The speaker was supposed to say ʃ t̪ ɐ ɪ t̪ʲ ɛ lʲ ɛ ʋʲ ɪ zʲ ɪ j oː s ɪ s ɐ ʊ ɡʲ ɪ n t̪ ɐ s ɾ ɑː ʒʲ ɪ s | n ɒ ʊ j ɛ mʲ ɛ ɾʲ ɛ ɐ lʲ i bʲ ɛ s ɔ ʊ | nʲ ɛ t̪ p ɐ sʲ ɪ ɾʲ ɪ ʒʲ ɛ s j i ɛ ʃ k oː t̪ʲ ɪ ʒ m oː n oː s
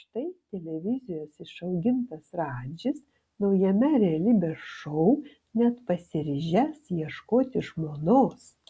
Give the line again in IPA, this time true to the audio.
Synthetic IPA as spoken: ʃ t̪ ɐ ɪ t̪ʲ ɛ lʲ ɛ ʋʲ ɪ zʲ ɪ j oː s ɪ ʃ ɐ ʊ ɡʲ ɪ n t̪ ɐ s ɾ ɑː d͡ʒʲ ɪ s | n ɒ ʊ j ɛ mʲ ɛ ɾʲ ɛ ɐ lʲ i bʲ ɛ ʃ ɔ ʊ | nʲ ɛ t̪ p ɐ sʲ ɪ ɾʲ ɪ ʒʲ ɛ s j i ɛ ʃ k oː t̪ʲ ɪ ʒ m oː n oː s